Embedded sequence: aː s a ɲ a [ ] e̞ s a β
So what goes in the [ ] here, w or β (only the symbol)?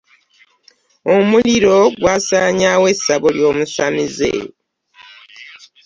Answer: w